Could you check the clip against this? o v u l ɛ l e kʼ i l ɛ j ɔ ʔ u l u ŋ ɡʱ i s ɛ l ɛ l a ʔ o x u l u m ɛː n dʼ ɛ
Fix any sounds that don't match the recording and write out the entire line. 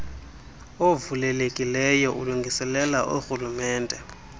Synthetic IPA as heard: o v u l ɛ l e kʼ i l ɛ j ɔ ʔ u l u ŋ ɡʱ i s ɛ l ɛ l a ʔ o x u l u m ɛː n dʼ ɛ